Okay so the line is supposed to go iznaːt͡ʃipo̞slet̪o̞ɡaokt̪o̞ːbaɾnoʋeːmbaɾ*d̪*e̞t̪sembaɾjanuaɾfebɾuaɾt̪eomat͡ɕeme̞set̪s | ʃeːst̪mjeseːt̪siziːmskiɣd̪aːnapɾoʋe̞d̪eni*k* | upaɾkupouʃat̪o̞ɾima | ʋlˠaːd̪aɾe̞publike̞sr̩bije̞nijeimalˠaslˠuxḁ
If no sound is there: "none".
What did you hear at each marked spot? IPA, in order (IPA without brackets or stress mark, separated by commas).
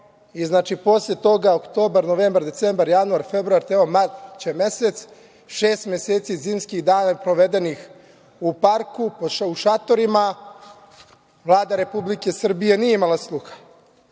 d̪, x